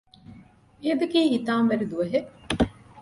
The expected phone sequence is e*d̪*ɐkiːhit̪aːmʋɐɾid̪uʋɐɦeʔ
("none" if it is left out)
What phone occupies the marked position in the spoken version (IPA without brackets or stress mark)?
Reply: d̪